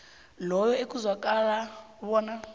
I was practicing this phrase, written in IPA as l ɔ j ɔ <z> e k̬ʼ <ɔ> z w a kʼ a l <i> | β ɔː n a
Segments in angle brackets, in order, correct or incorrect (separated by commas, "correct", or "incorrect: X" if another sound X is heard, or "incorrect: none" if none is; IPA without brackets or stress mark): incorrect: none, incorrect: u, incorrect: a